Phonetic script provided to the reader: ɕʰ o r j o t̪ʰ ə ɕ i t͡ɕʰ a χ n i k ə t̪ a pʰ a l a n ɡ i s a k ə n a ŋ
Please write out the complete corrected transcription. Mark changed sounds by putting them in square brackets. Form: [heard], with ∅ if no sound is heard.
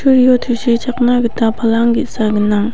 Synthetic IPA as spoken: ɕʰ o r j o t̪ʰ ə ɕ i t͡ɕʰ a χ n [a] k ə t̪ a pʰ a l a [ŋ] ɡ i s a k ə n a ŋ